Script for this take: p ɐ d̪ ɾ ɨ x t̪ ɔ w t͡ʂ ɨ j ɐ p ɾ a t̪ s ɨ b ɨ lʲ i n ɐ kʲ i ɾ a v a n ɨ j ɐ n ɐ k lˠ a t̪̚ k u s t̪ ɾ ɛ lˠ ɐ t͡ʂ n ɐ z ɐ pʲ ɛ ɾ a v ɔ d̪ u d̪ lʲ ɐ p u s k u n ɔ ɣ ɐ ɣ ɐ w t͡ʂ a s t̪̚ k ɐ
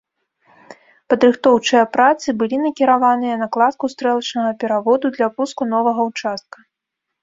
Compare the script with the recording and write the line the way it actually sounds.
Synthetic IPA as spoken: p ɐ d̪ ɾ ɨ x t̪ ɔ w t͡ʂ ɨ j ɐ p ɾ a t̪ s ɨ b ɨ lʲ i n ɐ kʲ i ɾ a v a n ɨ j ɐ n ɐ k lˠ a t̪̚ k u s t̪ ɾ ɛ lˠ ɐ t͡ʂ n ɐ ɣ ɐ pʲ ɛ ɾ a v ɔ d̪ u d̪ lʲ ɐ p u s k u n ɔ v ɐ ɣ ɐ w t͡ʂ a s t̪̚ k ɐ